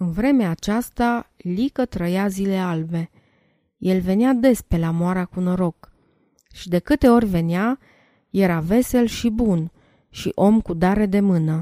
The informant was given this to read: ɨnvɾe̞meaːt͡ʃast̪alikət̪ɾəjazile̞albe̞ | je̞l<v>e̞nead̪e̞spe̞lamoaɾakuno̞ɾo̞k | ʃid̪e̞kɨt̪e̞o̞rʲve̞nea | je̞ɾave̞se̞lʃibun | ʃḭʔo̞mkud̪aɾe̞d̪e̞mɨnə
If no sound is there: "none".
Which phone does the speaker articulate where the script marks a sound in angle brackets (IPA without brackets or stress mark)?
v